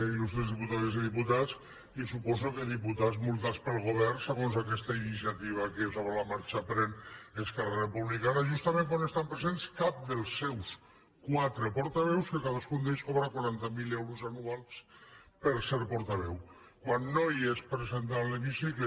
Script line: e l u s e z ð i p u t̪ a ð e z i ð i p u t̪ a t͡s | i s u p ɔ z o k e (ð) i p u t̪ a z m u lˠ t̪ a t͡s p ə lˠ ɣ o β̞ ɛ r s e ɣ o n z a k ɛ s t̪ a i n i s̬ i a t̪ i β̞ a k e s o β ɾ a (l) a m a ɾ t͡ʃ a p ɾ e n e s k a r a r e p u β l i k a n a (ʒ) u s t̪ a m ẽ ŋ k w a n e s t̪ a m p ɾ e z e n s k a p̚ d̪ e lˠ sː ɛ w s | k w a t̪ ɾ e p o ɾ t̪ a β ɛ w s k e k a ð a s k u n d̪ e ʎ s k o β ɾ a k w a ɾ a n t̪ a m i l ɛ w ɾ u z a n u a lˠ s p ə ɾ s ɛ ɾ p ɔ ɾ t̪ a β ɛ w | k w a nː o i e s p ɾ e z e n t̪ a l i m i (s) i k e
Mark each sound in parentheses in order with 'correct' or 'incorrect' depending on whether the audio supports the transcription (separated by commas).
correct, correct, correct, correct